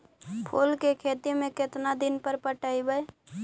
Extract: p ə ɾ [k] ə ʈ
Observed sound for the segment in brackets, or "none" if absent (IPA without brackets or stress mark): p